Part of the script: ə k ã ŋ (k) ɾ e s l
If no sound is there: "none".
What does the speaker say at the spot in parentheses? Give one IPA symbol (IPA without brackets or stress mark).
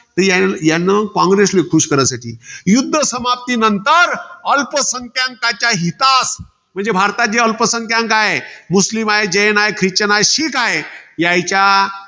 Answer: ɡ